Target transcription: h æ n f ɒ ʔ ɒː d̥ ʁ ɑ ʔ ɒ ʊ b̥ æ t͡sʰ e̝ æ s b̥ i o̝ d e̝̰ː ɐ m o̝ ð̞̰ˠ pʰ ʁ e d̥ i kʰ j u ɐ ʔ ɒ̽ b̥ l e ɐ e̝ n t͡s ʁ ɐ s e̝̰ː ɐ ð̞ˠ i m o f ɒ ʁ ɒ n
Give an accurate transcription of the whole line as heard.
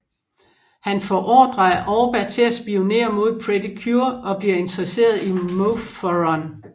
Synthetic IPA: h æ n f ɒ ʔ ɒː d̥ ʁ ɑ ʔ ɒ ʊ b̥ æ t͡sʰ e̝ æ s b̥ i o̝ n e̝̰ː ɐ m o̝ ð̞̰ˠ pʰ ʁ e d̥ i kʰ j u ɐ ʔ ɒ̽ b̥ l i ɐ e̝ n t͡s ʁ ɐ s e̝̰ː ɐ ð̞ˠ i m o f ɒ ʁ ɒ n